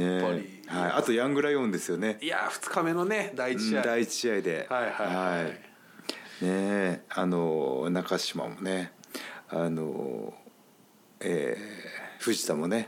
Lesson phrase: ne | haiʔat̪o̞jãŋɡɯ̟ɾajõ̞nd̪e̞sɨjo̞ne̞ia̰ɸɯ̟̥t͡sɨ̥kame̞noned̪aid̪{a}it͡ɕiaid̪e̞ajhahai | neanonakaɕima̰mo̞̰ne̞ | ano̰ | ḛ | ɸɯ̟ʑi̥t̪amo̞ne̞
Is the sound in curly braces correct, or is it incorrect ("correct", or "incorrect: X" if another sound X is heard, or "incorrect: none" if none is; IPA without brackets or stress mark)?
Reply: correct